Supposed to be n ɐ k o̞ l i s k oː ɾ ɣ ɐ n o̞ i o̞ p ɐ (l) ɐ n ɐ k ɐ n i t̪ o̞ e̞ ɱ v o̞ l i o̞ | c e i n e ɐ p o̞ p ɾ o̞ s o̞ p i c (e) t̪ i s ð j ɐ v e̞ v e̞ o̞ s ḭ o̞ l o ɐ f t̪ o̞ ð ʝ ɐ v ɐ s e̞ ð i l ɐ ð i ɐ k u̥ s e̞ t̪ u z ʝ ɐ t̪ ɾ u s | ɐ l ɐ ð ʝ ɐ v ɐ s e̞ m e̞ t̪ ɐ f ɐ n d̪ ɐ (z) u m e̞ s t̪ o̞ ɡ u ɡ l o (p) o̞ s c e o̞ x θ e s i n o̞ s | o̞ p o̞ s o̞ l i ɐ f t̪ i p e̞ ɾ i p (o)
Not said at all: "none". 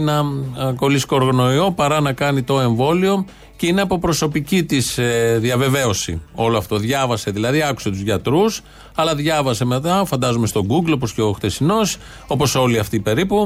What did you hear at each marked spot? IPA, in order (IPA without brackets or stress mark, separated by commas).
ɾ, i, z, p, u